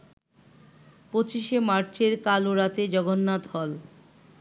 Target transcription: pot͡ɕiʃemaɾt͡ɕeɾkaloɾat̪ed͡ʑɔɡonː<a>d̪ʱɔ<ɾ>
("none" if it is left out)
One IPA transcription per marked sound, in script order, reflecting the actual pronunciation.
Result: a, l

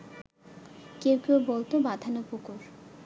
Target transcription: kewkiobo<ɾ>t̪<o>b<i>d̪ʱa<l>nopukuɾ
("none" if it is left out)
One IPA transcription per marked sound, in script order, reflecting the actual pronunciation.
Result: l, o, a, none

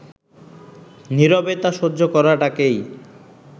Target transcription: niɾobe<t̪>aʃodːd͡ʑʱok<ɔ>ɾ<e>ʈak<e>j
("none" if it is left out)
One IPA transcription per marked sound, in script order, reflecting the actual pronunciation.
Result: t̪, ɔ, a, e

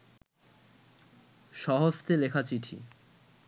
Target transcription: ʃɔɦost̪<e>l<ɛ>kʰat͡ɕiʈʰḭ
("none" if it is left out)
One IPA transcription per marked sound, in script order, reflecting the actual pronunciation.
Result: e, e

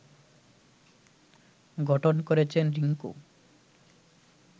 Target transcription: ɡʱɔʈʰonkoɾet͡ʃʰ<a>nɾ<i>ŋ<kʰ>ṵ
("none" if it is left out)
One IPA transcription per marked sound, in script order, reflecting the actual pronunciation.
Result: e, i, k

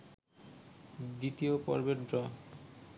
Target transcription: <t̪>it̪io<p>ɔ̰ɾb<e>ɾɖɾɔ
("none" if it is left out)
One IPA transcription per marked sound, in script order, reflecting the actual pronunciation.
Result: d̪, p, e

